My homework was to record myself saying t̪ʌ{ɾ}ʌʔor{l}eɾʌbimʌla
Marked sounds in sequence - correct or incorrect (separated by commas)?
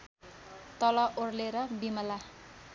incorrect, correct